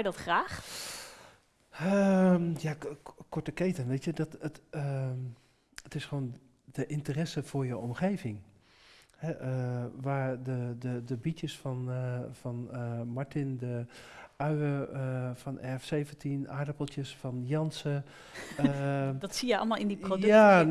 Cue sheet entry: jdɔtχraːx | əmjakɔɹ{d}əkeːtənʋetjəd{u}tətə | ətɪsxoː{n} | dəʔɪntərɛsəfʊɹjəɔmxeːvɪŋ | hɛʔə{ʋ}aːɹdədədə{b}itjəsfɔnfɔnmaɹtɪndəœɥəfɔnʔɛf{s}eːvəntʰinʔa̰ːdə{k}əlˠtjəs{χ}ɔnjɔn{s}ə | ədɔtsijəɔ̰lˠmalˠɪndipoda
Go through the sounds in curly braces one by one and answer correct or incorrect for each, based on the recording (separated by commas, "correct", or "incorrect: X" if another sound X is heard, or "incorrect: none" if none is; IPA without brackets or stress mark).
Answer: incorrect: t, incorrect: ɔ, correct, correct, correct, correct, incorrect: p, incorrect: f, correct